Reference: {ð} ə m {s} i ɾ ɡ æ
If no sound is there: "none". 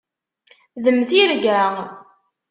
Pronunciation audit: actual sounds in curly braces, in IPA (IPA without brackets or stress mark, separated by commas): ð, θ